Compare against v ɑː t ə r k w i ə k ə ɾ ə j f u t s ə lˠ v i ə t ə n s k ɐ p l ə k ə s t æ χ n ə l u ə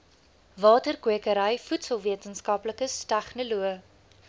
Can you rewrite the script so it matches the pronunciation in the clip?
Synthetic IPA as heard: v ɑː t ə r k w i ə k ə ɾ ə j f u t s ə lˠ v i ə t ə n s k ɐ p l ə k ə s t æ χ n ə l u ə